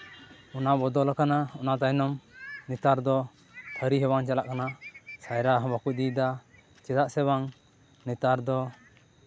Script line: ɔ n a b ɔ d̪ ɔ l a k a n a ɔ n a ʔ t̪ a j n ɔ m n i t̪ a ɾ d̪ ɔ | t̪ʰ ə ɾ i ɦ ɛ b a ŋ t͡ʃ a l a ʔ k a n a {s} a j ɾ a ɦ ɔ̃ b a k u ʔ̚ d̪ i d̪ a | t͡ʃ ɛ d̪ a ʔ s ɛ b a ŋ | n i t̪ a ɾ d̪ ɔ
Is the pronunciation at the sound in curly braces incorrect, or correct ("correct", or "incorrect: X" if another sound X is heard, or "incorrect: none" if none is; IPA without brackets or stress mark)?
correct